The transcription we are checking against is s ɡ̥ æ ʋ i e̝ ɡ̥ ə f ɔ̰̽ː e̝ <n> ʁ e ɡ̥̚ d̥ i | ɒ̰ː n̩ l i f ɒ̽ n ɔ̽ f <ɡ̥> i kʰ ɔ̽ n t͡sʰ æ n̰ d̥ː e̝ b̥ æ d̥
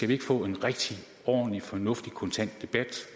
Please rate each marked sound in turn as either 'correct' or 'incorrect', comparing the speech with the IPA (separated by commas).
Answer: correct, incorrect